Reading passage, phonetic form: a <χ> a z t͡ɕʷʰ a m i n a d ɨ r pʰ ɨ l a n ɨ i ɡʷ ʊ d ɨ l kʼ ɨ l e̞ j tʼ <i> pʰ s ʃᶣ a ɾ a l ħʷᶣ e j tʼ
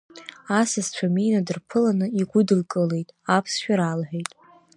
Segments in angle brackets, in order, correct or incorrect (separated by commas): incorrect, incorrect